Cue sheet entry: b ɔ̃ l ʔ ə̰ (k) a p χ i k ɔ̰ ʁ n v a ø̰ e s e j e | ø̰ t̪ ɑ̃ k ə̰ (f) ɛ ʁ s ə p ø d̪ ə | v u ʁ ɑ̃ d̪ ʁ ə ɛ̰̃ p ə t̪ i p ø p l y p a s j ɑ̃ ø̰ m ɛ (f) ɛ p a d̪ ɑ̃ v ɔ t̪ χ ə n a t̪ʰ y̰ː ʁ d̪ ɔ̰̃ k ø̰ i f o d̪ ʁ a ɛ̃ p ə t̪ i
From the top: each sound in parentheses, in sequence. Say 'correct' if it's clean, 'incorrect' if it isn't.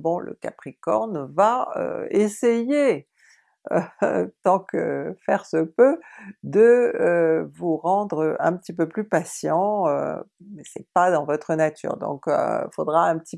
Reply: correct, correct, incorrect: s

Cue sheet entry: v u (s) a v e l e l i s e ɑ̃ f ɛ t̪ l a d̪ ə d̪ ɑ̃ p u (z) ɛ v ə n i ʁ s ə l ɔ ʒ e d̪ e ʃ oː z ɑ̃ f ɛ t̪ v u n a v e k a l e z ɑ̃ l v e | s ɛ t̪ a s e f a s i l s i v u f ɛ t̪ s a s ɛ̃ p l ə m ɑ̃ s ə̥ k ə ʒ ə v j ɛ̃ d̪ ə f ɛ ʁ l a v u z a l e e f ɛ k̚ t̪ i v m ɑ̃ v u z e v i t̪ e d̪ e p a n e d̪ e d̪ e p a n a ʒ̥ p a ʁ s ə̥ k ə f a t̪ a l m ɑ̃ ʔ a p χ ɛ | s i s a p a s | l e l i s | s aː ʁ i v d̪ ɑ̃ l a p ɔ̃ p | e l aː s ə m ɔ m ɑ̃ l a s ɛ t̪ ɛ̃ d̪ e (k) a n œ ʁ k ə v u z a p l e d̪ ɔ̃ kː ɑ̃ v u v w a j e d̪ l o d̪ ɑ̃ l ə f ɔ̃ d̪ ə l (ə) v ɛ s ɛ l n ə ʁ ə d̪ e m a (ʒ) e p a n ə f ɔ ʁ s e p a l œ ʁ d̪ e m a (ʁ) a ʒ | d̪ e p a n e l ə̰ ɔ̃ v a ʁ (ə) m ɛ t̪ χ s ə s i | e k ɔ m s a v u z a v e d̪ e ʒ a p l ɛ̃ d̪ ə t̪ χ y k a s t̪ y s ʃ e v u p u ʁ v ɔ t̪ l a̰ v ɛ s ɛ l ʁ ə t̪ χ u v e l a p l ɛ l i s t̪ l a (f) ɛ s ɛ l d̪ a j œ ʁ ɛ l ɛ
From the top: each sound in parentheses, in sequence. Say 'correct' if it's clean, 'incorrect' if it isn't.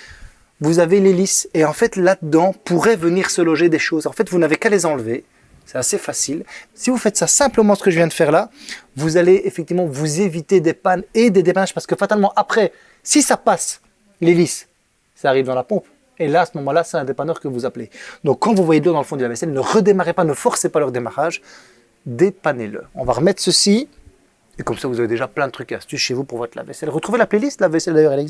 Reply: incorrect: z, incorrect: ʁ, incorrect: p, incorrect: a, incorrect: ʁ, correct, correct, incorrect: v

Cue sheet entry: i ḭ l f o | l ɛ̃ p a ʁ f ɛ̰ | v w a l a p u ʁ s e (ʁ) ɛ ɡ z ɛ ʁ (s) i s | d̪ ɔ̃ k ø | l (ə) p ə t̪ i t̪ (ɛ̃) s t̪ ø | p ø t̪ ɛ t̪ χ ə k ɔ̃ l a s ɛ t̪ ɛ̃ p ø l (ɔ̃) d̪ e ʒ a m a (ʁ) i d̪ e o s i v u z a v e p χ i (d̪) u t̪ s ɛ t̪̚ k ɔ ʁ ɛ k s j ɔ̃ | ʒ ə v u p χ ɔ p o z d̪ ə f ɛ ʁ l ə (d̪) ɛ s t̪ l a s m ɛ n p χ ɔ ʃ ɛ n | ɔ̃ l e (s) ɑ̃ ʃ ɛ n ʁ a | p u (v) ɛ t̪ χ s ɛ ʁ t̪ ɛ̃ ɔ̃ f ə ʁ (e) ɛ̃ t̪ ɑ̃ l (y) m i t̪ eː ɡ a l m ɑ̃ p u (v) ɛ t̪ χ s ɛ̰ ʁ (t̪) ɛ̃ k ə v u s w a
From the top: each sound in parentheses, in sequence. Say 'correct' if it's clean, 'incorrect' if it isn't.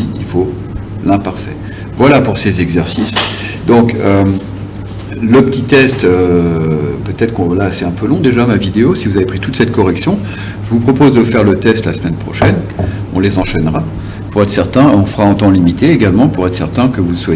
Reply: incorrect: z, correct, correct, incorrect: ɛ, correct, incorrect: v, incorrect: t̪, incorrect: t̪, incorrect: z, incorrect: ʁ, incorrect: a, incorrect: i, incorrect: ʁ, correct

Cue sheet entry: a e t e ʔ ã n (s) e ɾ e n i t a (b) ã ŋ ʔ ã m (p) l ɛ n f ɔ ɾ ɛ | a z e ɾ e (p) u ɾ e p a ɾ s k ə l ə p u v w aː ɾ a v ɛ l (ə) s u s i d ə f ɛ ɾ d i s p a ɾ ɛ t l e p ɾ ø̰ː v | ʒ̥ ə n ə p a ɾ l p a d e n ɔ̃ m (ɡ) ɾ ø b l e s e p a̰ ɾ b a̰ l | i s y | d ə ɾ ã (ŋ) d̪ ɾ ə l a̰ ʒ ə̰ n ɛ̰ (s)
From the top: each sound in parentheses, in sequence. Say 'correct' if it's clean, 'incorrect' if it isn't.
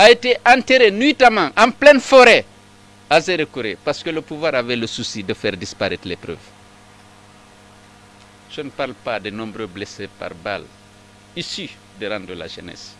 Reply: incorrect: t, incorrect: m, correct, incorrect: k, correct, incorrect: b, incorrect: n, correct

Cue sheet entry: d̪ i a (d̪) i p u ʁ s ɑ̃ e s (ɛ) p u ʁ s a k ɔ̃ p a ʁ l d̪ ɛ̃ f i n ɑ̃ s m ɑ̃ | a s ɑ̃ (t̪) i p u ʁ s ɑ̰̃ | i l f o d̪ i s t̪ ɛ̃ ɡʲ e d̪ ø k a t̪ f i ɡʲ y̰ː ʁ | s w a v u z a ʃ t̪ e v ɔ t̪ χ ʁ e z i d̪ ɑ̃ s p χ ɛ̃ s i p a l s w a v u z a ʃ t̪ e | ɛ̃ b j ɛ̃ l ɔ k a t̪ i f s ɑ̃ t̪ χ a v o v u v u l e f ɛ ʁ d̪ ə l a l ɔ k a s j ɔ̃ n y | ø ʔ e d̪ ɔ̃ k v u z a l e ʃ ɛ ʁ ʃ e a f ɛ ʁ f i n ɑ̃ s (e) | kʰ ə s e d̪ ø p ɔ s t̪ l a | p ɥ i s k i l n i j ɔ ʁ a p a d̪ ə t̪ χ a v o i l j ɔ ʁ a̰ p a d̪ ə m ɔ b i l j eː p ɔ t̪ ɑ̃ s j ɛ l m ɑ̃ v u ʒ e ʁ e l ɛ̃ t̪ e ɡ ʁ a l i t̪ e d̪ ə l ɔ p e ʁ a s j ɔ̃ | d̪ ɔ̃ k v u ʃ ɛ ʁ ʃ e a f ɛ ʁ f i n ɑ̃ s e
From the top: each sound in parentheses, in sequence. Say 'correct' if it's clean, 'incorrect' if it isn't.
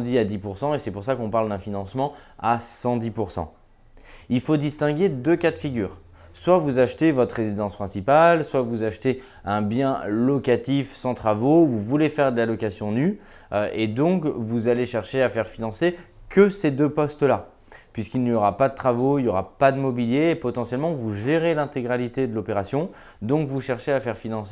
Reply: correct, correct, incorrect: d̪, correct

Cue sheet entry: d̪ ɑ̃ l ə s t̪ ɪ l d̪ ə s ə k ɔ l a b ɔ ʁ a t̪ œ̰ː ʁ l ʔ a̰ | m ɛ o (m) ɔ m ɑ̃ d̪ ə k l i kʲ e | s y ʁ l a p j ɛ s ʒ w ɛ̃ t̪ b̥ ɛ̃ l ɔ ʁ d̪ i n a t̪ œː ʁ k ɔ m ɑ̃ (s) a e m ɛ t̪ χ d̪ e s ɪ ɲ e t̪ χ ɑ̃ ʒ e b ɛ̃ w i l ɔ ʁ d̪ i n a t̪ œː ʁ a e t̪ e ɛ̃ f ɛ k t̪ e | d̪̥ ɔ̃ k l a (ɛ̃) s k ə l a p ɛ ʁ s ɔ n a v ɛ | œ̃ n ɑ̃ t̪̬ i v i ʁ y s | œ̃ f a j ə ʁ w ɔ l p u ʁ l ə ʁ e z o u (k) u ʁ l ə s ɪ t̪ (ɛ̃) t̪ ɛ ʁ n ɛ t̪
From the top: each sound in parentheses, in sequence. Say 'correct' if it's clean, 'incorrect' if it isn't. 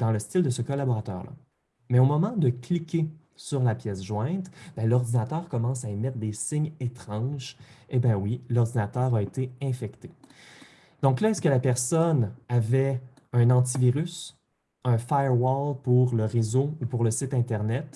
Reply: correct, correct, incorrect: ɛ, incorrect: p, correct

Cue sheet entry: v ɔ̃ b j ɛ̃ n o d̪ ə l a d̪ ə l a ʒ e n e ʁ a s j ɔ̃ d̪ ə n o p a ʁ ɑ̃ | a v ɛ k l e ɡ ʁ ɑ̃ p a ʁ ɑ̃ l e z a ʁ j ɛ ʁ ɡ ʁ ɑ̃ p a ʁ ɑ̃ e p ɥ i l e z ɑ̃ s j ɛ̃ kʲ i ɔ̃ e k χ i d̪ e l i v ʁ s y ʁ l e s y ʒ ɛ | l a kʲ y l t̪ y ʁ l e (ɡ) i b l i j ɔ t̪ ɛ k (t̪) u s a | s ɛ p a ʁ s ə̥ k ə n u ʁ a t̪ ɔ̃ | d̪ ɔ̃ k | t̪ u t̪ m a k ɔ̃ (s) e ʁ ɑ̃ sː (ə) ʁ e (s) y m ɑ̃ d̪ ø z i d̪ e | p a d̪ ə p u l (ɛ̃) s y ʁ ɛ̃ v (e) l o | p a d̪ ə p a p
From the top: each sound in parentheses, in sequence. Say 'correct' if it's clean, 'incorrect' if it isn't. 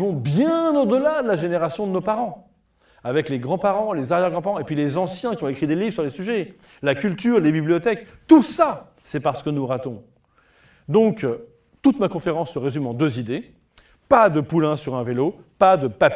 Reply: incorrect: b, correct, incorrect: f, correct, incorrect: z, correct, correct

